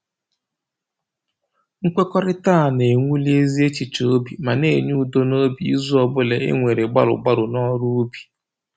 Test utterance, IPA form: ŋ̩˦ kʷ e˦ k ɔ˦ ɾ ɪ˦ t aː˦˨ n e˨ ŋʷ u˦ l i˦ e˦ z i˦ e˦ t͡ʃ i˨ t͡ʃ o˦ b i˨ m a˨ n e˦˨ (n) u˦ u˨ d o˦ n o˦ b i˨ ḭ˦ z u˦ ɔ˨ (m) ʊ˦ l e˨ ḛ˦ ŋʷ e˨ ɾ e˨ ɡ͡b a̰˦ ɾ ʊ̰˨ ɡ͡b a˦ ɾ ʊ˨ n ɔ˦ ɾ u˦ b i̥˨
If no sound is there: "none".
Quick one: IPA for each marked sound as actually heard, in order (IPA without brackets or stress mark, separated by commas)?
ɲ, b